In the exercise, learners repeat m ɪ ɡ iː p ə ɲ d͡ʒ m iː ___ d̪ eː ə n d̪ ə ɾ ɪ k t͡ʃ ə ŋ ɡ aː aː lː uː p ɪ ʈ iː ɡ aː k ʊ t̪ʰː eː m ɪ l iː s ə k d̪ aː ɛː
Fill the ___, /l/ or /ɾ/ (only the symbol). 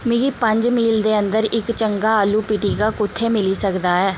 l